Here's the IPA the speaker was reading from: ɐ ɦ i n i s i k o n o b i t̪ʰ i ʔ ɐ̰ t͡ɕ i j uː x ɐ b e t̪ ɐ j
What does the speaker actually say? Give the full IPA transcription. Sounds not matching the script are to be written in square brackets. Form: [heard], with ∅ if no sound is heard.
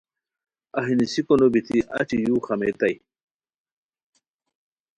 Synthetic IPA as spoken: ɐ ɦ i n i s i k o n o b i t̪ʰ i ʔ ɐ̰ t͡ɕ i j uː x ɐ [m] e t̪ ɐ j